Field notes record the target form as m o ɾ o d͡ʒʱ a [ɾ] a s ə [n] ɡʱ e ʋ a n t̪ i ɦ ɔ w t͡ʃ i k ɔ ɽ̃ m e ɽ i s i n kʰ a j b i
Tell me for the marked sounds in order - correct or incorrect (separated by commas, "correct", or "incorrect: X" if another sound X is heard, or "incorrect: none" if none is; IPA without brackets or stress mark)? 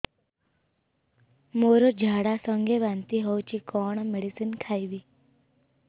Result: incorrect: ɽ, incorrect: ŋ